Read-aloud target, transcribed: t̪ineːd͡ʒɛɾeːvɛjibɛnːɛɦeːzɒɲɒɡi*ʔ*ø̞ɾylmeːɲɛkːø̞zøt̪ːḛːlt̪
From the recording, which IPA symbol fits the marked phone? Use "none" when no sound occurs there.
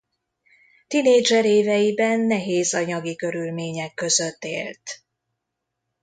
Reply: k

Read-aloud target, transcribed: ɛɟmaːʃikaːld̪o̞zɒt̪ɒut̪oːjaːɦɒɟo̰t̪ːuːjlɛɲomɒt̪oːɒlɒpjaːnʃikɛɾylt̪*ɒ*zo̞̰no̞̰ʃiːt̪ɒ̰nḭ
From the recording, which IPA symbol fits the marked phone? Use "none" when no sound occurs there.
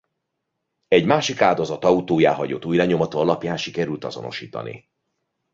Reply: ɒ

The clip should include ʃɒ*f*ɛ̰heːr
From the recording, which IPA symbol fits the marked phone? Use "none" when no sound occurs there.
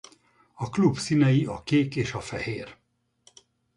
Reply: f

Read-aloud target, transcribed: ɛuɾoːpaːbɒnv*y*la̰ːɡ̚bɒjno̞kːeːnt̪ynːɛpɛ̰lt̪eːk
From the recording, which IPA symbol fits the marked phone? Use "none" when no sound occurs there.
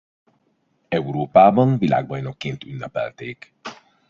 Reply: i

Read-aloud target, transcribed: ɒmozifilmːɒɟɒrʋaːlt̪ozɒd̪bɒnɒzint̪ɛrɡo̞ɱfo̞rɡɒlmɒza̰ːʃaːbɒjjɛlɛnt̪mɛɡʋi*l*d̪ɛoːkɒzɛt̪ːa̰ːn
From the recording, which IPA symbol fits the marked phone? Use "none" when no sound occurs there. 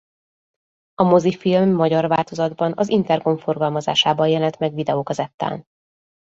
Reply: none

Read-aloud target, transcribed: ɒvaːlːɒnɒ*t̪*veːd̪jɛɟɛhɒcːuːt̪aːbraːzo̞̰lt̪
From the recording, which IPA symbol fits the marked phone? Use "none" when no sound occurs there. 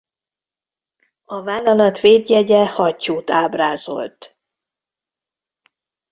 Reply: t̪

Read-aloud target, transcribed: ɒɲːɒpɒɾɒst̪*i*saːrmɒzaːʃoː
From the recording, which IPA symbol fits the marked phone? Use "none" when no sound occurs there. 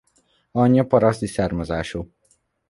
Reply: i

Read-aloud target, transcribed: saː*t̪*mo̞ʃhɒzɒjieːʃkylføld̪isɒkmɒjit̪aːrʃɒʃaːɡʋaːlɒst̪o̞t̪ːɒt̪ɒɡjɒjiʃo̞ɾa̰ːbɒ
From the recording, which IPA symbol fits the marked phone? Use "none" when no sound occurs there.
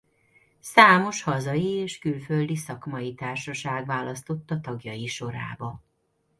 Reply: none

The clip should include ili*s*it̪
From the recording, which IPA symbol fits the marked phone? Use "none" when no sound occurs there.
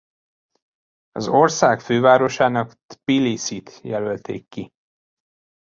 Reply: s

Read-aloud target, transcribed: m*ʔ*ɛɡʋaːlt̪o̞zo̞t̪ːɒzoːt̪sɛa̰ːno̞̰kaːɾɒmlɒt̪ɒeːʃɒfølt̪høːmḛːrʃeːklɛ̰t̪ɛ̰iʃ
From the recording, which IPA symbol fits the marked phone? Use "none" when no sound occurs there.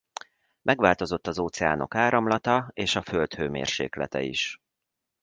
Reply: ʔ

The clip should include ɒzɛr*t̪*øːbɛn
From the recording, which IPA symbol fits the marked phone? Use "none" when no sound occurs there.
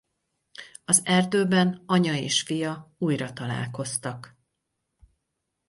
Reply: d̪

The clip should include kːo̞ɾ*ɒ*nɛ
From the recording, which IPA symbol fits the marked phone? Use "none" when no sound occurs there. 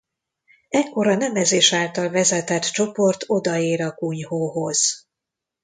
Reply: ɒ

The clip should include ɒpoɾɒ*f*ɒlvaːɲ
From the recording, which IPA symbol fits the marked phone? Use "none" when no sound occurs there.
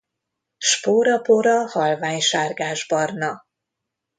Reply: h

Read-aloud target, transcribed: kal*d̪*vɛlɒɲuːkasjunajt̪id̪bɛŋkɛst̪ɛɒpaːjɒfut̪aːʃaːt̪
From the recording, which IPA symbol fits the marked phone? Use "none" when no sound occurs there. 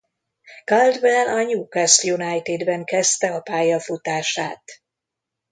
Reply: d̪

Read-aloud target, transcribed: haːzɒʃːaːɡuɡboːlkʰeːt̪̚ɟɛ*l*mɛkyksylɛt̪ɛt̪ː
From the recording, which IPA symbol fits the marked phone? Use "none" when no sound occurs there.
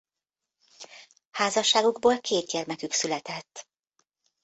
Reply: r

